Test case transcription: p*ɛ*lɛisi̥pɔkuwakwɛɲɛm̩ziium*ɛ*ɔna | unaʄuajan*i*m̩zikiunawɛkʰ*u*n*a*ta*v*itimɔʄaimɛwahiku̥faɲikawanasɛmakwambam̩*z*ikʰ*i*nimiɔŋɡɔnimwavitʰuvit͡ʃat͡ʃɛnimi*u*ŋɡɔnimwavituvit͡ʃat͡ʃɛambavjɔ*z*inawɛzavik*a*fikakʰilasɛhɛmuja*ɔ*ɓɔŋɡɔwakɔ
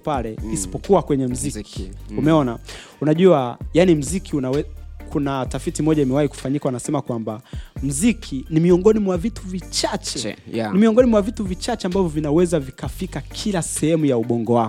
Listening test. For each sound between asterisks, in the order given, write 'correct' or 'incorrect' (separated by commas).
incorrect, correct, correct, correct, correct, incorrect, correct, correct, incorrect, incorrect, correct, incorrect